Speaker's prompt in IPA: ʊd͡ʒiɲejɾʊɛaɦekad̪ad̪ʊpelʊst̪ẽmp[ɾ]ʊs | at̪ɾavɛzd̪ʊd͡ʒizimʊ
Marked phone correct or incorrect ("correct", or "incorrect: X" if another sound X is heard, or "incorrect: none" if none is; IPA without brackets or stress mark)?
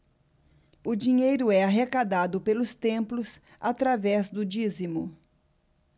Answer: incorrect: l